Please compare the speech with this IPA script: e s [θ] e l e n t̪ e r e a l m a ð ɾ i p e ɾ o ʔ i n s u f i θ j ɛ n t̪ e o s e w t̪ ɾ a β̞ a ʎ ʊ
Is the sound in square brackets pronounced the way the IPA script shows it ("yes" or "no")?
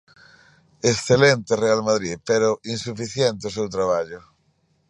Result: yes